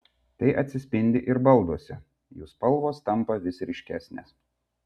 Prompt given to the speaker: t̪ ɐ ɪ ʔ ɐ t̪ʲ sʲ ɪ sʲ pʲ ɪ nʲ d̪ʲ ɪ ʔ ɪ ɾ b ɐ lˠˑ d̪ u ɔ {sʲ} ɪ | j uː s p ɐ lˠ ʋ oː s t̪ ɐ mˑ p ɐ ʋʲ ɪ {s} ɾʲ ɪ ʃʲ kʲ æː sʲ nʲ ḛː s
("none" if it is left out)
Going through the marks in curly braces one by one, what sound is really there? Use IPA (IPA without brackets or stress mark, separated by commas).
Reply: sʲ, s